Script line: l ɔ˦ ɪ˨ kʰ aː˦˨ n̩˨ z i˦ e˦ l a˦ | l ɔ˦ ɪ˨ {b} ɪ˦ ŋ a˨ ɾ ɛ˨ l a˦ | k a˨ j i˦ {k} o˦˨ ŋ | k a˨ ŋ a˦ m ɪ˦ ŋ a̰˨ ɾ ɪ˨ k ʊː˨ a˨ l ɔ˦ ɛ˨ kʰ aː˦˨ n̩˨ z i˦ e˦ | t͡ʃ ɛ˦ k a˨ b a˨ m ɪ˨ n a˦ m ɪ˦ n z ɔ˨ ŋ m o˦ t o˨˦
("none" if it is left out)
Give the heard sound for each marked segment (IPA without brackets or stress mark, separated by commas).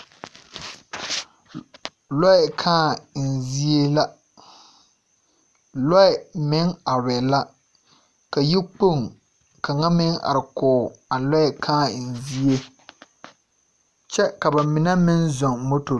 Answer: m, k͡p